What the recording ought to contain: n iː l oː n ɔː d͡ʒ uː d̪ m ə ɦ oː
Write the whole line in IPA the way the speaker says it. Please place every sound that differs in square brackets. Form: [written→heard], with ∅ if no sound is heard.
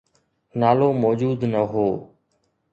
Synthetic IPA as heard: n [iː→aː] l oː [n→m] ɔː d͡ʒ uː d̪ [m→n] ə ɦ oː